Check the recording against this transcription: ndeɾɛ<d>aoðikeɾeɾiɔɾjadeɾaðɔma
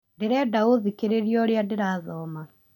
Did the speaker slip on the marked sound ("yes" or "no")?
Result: no